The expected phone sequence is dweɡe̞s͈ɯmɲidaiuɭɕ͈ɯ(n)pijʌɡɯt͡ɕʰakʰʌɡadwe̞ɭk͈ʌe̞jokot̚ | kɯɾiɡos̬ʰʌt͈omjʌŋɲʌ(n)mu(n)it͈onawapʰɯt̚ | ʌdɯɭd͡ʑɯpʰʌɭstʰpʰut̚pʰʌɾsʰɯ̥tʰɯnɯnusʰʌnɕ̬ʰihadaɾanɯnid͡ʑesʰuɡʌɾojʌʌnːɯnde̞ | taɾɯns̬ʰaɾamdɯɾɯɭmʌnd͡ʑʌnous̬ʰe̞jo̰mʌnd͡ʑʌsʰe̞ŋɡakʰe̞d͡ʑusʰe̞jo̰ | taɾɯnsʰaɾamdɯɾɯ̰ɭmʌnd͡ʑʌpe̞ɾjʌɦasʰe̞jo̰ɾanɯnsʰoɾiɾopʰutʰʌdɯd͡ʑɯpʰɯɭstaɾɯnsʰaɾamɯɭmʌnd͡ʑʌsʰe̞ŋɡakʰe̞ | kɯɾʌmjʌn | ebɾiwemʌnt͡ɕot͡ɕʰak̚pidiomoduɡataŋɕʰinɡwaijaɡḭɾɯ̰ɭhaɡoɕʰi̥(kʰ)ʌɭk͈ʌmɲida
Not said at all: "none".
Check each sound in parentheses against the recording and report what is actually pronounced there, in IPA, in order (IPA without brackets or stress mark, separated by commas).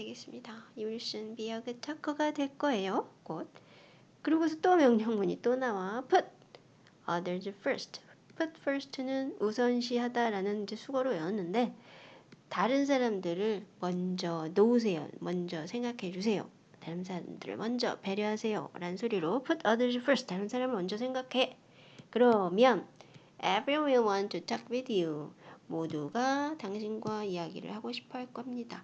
n, ŋ, ɲ, pʰ